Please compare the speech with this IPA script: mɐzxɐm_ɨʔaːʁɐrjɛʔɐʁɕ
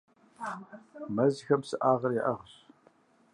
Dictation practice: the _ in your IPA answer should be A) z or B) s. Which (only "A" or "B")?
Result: B